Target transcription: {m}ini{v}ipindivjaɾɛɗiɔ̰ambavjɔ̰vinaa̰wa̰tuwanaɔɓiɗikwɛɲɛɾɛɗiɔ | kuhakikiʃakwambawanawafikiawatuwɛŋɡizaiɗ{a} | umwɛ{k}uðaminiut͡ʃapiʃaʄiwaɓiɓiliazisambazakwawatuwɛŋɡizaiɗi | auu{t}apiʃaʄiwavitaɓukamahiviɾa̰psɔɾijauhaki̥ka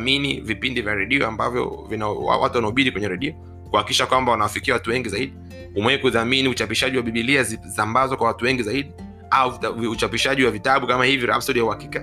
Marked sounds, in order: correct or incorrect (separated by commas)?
correct, correct, incorrect, correct, incorrect